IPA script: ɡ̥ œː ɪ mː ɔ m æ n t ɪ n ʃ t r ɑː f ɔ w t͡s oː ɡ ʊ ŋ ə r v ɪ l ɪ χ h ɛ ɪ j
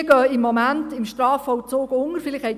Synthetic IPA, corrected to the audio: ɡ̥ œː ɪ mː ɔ m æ n t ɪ m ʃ t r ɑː f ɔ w t͡s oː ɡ ʊ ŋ ə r f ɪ l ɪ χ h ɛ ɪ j